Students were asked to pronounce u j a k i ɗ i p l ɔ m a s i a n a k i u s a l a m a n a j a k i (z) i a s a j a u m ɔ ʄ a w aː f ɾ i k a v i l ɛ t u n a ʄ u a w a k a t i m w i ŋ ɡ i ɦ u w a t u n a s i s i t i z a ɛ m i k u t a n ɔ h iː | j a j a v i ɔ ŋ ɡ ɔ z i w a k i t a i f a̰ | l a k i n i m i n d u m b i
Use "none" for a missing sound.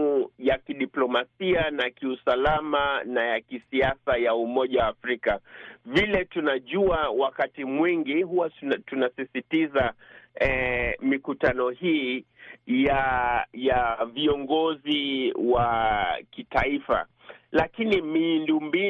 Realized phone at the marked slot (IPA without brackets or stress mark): s